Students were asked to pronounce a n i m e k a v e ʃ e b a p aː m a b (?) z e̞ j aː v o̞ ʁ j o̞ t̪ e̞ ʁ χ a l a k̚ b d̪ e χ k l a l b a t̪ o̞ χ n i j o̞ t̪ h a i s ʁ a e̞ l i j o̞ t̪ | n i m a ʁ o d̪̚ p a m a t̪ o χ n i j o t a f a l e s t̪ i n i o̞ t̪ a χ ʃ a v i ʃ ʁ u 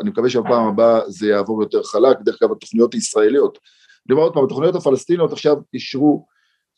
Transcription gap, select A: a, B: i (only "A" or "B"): A